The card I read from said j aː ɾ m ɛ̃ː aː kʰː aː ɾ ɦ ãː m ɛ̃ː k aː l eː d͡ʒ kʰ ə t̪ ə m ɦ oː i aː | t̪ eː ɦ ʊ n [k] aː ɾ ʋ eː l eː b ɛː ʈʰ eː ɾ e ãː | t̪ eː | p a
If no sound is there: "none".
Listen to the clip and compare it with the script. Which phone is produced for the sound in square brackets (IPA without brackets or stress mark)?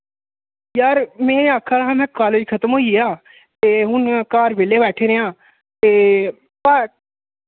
k